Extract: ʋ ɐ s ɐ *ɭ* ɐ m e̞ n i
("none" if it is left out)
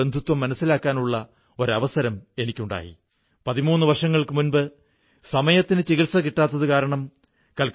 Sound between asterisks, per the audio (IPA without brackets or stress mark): ɾ